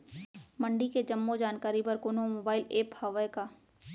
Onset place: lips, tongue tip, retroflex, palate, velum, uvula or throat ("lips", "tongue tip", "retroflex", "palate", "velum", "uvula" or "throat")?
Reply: lips